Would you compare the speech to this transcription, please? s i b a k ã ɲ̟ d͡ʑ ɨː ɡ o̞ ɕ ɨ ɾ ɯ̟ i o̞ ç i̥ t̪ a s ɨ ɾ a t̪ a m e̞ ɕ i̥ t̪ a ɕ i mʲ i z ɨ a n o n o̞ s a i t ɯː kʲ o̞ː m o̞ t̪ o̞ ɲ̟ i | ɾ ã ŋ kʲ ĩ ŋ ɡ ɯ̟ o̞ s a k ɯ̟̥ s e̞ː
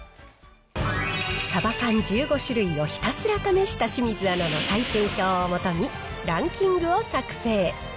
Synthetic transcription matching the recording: s a b a k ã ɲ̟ d͡ʑ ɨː ɡ o̞ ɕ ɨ ɾ ɯ̟ i o̞ ç i̥ t̪ a s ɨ ɾ a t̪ a m e̞ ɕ i̥ t̪ a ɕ i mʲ i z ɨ a n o n o̞ s a i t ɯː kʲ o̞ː m o̞ t̪ o̞ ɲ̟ i | ɾ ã ŋ kʲ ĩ ŋ ɡ ɯ̟ o̞ s a k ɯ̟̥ s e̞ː